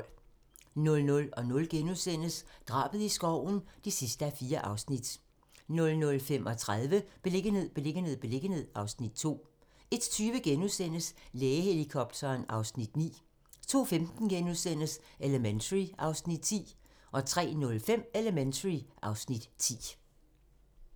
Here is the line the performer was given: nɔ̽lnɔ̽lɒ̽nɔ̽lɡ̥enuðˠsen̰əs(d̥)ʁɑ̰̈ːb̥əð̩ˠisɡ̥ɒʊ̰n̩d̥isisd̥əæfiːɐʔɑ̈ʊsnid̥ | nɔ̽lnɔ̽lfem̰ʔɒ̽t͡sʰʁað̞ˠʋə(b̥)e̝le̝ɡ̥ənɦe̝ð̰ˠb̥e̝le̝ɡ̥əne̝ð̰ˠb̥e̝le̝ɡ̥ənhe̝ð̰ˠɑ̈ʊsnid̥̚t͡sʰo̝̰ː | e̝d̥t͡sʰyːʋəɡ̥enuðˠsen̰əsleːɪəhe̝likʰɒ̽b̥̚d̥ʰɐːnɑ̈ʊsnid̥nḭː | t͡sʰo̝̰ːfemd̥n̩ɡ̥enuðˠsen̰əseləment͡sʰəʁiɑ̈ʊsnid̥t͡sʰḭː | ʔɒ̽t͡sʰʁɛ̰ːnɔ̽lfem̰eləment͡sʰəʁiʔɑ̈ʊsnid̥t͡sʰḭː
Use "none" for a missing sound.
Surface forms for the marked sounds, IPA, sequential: d̥, b̥

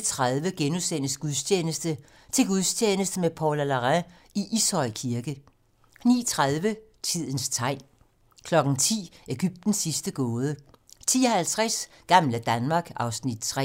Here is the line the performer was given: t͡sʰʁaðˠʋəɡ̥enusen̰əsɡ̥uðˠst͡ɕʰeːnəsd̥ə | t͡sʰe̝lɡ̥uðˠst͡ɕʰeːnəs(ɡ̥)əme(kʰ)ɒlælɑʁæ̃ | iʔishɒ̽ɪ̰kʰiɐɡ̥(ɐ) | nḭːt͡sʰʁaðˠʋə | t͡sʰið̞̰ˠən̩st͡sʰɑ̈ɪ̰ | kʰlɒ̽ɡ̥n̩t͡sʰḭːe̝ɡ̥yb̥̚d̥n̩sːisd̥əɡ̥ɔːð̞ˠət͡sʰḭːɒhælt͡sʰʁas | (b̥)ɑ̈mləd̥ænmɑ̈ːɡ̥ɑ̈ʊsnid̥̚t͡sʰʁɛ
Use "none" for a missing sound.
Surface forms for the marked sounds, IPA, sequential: d̥, pʰ, ə, ɡ̥

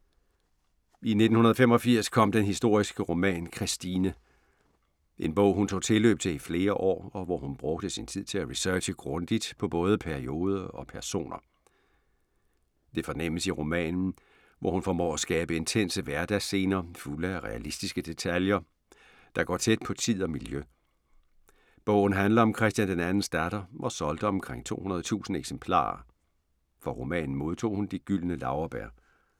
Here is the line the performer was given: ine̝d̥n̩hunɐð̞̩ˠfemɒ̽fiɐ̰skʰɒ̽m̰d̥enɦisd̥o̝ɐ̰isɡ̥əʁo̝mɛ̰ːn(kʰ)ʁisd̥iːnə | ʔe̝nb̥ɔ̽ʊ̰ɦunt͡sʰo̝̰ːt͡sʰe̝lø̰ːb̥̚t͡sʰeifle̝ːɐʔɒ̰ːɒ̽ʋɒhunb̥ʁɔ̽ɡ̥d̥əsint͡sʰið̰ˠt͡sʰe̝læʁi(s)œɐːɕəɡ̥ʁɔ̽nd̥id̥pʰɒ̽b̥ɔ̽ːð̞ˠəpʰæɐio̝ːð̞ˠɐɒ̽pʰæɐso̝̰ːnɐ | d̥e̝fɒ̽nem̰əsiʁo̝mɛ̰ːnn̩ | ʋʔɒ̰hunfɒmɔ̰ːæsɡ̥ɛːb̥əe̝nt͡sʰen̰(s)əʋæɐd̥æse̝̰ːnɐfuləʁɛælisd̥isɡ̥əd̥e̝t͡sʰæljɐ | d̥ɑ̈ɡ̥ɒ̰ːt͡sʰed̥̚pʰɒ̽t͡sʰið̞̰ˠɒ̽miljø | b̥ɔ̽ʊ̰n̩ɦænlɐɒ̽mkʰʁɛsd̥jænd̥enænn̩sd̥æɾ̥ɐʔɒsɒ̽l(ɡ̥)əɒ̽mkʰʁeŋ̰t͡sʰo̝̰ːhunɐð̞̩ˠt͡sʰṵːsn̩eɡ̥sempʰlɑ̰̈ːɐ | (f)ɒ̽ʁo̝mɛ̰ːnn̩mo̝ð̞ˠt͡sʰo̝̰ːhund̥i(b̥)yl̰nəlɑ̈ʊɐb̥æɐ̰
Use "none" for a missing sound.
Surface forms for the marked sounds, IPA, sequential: kʰ, s, s, d̥, f, ɡ̥

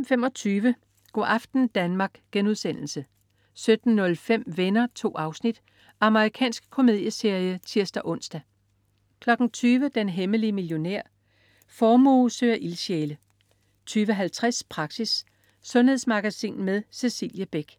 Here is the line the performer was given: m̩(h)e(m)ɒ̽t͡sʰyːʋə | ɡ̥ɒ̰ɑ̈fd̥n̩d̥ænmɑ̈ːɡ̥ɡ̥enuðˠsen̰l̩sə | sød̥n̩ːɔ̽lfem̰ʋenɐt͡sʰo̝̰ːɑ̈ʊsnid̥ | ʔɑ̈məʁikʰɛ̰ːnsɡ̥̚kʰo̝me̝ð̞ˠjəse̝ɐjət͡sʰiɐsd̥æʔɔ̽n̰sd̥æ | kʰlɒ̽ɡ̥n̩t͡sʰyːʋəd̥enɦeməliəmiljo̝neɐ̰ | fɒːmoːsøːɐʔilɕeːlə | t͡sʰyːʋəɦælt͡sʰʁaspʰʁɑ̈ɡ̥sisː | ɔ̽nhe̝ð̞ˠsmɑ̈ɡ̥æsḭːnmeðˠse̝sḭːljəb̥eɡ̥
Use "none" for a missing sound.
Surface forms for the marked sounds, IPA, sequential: f, m

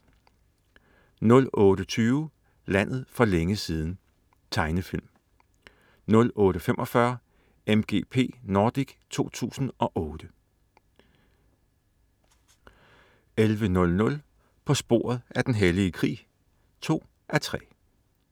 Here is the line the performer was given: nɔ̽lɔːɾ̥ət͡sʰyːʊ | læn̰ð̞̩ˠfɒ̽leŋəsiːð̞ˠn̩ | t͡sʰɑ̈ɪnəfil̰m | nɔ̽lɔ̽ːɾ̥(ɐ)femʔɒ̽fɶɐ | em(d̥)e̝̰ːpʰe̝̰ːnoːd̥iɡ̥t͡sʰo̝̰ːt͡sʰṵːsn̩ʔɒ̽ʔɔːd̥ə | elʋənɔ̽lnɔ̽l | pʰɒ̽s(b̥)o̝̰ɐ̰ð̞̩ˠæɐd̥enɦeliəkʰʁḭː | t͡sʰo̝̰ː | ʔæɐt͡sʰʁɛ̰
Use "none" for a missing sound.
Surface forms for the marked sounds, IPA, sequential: ə, ɡ̥, b̥

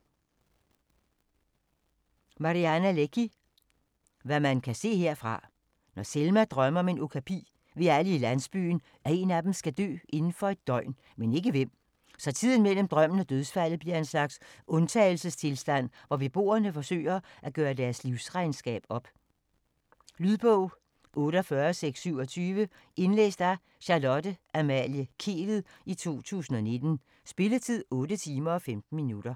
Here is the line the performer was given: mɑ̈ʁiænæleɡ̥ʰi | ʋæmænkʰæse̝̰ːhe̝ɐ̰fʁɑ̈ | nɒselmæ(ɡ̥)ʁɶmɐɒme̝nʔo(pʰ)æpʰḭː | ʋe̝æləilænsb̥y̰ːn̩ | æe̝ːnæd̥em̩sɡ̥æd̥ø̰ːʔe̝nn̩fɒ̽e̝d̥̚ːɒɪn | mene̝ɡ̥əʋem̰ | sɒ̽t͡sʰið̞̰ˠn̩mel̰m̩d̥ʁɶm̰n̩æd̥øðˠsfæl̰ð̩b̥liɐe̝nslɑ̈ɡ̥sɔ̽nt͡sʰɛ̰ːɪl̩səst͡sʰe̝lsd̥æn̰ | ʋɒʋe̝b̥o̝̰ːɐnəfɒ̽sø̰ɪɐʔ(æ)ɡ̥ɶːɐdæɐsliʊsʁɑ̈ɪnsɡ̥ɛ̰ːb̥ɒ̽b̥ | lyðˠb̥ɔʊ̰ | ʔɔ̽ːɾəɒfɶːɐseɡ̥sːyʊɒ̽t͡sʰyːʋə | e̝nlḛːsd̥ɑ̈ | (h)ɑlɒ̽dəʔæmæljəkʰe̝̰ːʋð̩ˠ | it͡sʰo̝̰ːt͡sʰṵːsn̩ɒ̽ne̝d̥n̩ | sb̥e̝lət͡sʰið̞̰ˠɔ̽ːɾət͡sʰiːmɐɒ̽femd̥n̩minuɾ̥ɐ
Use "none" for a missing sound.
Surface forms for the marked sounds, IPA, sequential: d̥, kʰ, æ, ɕ

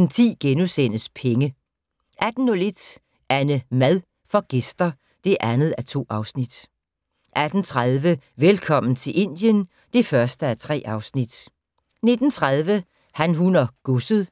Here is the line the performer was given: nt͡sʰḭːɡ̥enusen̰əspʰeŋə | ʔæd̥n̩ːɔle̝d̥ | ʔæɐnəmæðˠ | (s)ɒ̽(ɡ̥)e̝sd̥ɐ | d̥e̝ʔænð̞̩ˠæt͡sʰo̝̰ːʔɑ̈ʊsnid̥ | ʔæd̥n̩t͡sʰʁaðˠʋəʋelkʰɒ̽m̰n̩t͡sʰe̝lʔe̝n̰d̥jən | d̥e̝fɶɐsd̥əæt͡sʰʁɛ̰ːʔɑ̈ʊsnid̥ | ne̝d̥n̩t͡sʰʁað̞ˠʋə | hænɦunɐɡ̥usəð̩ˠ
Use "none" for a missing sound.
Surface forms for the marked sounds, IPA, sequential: f, ɡ̥

